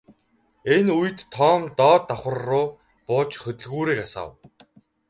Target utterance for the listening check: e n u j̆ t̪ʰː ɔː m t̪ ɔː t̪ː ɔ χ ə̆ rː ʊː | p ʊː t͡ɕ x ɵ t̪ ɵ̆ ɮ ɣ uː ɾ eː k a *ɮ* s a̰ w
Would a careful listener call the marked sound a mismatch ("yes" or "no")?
yes